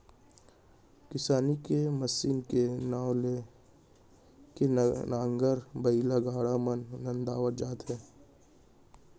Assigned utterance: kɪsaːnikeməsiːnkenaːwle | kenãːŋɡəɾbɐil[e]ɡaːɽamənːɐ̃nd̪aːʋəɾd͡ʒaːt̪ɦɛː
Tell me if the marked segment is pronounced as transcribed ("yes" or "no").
no